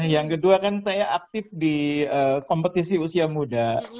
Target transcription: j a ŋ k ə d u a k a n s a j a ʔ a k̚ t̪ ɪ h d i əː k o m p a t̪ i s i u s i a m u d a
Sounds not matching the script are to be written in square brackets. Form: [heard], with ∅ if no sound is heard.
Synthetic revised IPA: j a ŋ k ə d u a k a n s a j a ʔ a k̚ t̪ ɪ [f] d i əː k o m p [ə] t̪ i s i u s i a m u d a